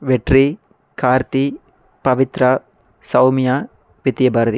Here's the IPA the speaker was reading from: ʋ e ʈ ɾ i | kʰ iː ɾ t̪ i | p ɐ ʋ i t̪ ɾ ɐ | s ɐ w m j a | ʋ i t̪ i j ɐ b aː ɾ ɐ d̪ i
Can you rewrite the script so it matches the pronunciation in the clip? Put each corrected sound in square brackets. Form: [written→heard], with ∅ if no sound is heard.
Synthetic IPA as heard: ʋ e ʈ ɾ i | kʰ [iː→aː] ɾ t̪ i | p ɐ ʋ i t̪ ɾ ɐ | s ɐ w m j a | ʋ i t̪ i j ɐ b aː ɾ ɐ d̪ i